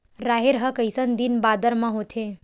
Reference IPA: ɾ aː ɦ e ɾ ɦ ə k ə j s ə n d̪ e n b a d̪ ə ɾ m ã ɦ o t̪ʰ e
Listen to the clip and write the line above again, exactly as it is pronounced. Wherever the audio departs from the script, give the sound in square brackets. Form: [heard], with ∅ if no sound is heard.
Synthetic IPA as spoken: ɾ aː ɦ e ɾ ɦ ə k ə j s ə n d̪ [i] n b a d̪ ə ɾ m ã ɦ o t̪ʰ e